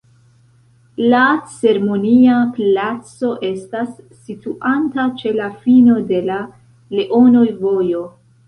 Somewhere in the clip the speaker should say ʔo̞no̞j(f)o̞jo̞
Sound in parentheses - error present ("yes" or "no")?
yes